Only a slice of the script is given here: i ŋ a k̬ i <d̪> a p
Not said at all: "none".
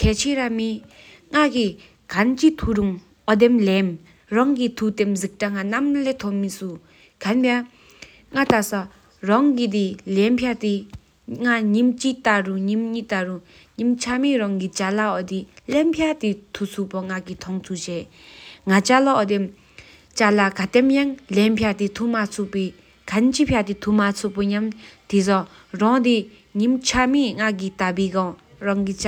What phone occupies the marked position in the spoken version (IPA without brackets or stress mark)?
t̪